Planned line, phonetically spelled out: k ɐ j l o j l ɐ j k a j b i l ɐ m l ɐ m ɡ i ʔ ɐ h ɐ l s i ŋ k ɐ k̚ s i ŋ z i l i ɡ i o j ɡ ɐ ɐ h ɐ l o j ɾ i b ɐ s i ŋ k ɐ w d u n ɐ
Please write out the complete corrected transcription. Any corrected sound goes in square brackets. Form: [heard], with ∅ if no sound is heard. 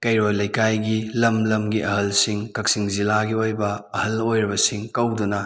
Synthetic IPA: k ɐ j [ɾ] o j l ɐ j k a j [ɡ] i l ɐ m l ɐ m ɡ i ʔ ɐ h ɐ l s i ŋ k ɐ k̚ s i ŋ z i l [a] ɡ i o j [b] ɐ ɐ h ɐ l o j ɾ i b ɐ s i ŋ k ɐ w d u n ɐ